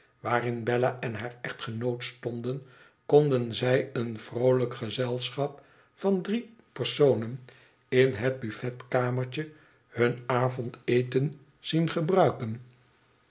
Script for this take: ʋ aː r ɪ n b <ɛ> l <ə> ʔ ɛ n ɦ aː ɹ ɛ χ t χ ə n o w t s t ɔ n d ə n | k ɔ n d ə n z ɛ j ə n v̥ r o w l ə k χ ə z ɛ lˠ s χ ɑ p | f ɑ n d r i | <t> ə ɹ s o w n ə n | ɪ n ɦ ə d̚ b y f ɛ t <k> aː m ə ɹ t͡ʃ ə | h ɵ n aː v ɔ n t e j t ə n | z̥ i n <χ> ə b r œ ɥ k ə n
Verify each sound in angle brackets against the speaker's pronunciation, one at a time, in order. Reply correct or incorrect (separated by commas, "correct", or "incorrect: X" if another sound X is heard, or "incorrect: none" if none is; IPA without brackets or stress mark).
correct, incorrect: a, incorrect: p, correct, correct